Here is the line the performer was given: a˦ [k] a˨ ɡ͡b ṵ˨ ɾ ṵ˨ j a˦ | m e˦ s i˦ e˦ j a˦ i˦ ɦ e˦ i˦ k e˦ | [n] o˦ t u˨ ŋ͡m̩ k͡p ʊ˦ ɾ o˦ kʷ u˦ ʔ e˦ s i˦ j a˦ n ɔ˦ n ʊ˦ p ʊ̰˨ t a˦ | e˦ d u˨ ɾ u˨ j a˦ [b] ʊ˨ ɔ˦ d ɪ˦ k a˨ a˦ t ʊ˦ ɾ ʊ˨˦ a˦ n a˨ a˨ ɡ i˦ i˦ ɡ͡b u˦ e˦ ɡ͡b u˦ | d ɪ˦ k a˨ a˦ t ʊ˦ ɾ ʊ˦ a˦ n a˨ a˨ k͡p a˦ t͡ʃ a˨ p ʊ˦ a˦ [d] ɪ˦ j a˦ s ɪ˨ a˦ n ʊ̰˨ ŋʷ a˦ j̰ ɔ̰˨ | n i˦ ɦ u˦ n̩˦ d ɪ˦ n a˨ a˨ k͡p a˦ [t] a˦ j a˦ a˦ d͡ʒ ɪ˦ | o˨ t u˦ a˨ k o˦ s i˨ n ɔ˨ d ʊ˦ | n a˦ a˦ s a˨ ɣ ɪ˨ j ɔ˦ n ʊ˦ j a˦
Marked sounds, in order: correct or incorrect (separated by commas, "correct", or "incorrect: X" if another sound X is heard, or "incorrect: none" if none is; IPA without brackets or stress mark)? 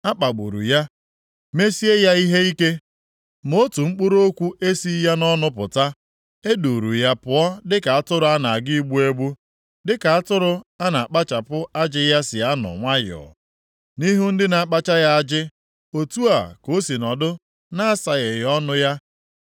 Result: incorrect: k͡p, incorrect: m, incorrect: p, incorrect: d͡ʒ, incorrect: t͡ʃ